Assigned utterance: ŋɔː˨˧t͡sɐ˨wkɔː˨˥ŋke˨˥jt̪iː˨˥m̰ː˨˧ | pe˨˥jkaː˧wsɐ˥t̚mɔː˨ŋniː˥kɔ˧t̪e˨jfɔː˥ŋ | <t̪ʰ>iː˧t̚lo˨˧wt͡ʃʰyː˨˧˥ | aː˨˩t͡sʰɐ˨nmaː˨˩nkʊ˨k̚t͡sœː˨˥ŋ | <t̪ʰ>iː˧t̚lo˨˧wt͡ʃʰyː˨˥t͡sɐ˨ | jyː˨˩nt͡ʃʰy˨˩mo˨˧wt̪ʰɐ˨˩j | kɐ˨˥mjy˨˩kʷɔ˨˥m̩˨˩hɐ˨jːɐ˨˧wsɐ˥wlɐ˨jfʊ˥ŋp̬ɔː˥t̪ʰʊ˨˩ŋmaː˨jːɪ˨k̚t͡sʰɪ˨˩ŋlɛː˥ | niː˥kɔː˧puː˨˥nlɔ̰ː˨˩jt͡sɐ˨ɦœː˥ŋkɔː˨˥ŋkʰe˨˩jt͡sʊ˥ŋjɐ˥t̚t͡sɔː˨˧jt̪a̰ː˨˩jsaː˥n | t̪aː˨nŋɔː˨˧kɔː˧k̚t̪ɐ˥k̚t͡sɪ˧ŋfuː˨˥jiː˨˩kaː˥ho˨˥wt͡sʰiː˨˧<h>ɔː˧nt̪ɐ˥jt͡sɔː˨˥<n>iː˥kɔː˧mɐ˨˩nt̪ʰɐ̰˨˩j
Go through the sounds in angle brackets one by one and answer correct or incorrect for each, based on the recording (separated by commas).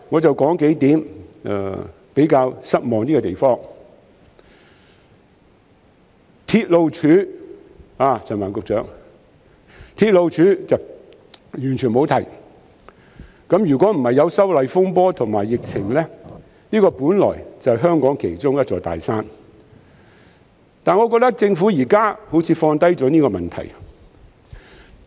correct, correct, incorrect, correct